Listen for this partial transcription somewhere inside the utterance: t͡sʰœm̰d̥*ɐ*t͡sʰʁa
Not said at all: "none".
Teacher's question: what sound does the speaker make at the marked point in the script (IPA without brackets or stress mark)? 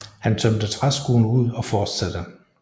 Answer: ə